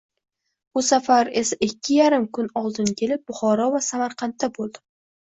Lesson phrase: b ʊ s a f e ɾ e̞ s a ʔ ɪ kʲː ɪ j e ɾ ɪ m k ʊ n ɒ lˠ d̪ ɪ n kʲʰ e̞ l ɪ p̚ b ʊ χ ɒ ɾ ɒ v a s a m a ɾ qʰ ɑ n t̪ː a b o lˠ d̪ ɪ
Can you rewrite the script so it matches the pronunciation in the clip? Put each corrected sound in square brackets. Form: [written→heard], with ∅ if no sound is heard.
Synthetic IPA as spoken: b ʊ s a f [e→a] ɾ e̞ s a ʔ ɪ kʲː ɪ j [e→a] ɾ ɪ m k ʊ n ɒ lˠ d̪ ɪ n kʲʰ e̞ l ɪ p̚ b ʊ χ ɒ ɾ ɒ v a s a m a ɾ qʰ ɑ n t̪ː a b o lˠ d̪ ɪ